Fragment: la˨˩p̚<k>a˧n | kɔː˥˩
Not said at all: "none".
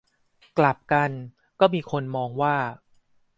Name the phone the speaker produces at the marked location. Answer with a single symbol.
k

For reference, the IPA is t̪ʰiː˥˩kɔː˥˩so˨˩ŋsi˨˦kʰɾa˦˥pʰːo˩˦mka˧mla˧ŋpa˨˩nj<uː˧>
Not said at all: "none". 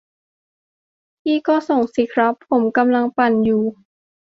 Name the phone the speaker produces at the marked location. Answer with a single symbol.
uː˨˩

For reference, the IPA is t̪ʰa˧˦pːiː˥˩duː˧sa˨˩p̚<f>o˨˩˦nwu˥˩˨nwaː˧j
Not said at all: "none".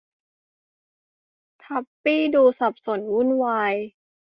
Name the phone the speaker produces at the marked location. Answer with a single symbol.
s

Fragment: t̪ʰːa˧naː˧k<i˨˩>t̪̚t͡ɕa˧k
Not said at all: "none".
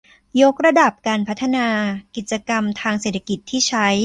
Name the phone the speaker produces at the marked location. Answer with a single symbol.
i˨˩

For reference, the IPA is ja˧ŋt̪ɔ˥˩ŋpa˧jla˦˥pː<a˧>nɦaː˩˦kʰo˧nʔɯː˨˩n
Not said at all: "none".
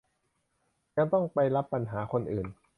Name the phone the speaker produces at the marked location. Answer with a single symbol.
a˧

